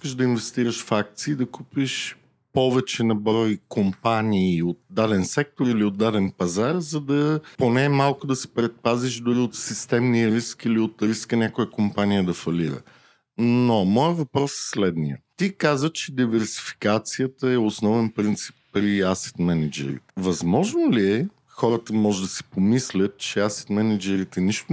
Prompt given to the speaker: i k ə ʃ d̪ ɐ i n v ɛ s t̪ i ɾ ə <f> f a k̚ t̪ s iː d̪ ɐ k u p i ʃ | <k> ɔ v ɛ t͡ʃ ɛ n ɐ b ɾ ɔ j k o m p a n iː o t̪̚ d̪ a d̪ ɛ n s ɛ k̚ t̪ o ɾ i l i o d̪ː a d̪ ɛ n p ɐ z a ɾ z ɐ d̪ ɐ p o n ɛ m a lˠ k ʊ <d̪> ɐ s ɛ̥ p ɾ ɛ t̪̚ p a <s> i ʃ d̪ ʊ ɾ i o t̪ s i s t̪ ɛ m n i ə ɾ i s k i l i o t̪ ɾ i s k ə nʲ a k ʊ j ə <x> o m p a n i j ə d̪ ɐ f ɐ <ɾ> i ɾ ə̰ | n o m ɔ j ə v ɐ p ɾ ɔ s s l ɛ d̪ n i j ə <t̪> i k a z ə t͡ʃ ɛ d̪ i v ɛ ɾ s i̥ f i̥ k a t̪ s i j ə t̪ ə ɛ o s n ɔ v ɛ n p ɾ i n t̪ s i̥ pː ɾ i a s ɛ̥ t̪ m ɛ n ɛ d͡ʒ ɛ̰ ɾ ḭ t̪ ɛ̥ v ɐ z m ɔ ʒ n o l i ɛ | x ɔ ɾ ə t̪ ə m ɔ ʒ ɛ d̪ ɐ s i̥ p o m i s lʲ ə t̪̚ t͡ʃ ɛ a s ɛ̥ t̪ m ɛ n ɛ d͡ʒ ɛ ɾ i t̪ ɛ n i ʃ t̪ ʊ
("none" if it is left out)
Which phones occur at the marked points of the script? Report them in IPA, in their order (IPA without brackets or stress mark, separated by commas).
ʃ, p, d̪, z, k, l, t̪